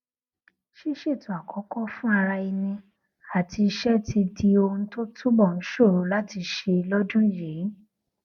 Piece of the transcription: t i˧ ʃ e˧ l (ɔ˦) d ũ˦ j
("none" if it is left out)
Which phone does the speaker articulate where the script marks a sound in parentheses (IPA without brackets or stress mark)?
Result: ɔ˦